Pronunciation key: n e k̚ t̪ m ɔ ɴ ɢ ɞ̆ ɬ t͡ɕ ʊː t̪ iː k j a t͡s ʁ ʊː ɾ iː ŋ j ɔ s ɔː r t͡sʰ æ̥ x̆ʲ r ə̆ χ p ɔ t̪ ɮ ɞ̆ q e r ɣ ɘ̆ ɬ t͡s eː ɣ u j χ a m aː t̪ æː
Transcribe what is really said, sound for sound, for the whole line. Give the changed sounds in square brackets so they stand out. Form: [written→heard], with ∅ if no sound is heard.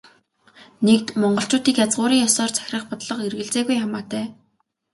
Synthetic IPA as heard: n e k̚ t̪ m ɔ ɴ ɢ ɞ̆ ɬ t͡ɕ ʊː t̪ iː k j a t͡s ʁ ʊː ɾ iː ŋ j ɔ s ɔː r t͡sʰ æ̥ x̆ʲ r ə̆ χ p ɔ t̪ ɮ ɞ̆ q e r ɣ ɘ̆ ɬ t͡s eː ɣ u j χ a m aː t̪ æː